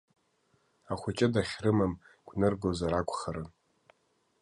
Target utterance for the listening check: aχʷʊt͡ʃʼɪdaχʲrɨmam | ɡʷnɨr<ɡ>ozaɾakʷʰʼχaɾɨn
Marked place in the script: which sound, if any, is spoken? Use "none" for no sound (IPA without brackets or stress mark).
ɡ